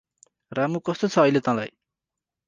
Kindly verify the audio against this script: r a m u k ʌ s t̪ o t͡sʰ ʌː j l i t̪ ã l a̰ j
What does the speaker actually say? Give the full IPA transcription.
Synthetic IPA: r a m u k ʌ s t̪ o t͡sʰ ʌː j l e t̪ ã l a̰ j